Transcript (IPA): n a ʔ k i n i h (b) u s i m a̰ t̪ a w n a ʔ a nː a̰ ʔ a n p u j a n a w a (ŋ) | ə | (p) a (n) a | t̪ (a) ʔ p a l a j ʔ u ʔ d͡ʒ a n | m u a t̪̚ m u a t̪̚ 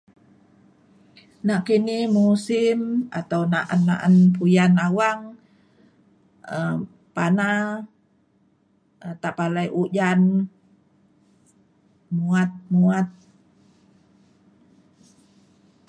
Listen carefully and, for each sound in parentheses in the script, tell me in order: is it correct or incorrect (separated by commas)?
incorrect, correct, correct, correct, correct